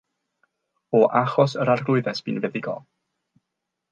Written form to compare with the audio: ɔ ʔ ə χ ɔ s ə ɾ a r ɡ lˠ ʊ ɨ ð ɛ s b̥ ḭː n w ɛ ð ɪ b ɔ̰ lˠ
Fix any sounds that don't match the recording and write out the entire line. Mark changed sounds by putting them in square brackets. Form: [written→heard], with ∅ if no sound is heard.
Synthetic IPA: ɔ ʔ [ə→a] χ ɔ s ə ɾ a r ɡ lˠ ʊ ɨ ð ɛ s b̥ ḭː n [w→v] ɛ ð ɪ [b→ɡ] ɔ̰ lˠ